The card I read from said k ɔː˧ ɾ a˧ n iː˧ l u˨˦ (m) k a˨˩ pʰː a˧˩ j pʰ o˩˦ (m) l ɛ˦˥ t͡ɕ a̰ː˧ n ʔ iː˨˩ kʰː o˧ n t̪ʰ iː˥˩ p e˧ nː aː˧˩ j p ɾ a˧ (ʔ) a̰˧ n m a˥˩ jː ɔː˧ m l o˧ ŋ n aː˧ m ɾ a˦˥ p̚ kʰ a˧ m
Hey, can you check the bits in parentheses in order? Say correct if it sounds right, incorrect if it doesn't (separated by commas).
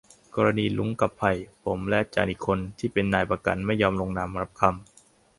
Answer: incorrect, correct, incorrect